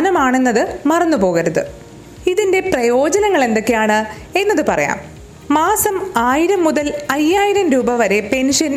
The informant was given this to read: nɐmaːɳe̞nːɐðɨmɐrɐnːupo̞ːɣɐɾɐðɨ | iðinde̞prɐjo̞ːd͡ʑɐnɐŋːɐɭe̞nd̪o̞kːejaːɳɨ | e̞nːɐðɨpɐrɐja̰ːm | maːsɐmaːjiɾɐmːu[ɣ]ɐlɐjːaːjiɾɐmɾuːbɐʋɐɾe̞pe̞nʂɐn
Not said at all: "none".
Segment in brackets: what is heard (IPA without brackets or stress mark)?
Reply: ð